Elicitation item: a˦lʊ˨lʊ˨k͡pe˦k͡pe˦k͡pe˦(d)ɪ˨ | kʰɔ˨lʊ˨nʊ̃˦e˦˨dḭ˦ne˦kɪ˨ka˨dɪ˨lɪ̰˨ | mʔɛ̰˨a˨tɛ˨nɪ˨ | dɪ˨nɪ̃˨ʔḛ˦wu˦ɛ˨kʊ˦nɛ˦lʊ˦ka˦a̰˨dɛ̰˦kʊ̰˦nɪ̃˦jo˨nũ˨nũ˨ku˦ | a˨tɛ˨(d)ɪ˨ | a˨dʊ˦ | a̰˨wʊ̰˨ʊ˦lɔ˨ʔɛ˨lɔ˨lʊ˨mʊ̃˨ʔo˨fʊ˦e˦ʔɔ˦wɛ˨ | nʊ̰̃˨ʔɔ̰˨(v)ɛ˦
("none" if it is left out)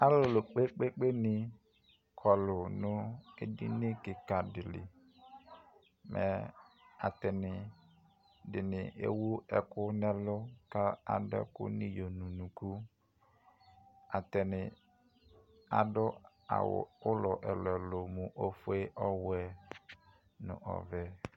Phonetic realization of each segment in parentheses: n, n, v

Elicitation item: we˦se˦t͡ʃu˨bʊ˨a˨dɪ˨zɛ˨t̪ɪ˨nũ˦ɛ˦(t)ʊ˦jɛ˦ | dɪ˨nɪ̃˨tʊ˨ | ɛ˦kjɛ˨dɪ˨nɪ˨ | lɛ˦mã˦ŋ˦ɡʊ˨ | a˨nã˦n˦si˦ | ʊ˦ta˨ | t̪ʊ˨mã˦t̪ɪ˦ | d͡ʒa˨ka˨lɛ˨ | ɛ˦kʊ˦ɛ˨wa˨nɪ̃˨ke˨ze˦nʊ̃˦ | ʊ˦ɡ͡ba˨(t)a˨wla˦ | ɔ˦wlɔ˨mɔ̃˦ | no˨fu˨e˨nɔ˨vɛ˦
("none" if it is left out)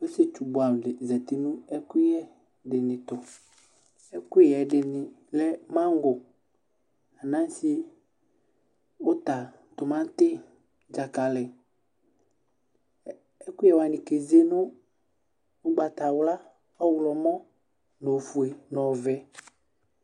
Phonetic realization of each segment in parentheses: k, t

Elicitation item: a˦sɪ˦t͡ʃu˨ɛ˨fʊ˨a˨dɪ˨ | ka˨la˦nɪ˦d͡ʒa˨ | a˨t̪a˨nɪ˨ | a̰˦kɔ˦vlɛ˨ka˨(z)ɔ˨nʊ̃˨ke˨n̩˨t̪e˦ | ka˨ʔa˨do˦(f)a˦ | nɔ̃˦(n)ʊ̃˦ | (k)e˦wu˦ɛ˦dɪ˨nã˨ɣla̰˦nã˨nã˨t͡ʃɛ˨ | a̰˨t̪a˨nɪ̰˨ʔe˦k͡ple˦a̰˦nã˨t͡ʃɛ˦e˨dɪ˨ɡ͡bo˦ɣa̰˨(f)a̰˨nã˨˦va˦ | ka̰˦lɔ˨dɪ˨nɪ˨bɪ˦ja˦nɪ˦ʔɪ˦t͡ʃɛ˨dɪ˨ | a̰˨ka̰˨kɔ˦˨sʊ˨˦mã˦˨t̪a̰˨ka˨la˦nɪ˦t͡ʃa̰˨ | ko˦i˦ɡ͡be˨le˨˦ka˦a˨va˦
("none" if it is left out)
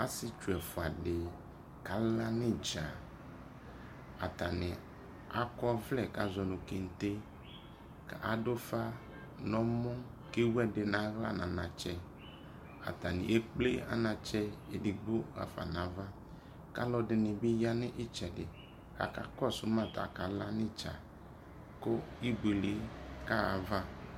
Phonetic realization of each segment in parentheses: z, f, m, k, f

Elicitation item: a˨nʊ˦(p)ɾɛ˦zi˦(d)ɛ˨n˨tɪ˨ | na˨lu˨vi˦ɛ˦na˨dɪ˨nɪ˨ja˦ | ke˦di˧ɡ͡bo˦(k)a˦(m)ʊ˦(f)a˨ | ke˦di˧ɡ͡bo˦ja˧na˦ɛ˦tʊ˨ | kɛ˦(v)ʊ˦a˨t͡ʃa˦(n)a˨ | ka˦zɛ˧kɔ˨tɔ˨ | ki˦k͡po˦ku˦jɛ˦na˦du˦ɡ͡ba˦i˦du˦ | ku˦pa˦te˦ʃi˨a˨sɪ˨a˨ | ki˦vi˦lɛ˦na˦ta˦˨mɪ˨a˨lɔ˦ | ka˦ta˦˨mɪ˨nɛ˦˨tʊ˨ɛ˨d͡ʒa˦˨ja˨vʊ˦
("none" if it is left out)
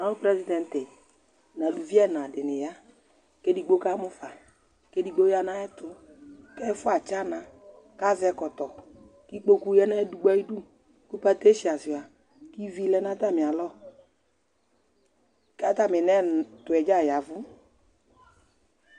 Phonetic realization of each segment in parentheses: p, d, k, m, f, f, n

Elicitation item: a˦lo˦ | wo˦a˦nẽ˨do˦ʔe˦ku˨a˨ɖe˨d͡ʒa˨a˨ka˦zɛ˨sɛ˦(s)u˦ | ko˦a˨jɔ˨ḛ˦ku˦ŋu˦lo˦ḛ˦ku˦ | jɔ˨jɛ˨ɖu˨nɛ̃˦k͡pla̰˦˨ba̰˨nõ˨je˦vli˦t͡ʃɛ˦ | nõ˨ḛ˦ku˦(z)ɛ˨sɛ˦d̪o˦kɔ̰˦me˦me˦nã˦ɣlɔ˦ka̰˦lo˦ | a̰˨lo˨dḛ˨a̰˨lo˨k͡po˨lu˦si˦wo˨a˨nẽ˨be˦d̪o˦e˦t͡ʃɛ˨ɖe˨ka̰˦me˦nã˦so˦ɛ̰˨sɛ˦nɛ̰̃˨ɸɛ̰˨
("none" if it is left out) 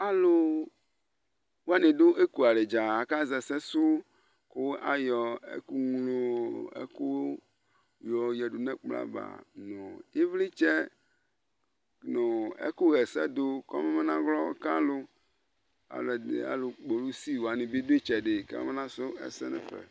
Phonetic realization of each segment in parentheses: s, ɣ

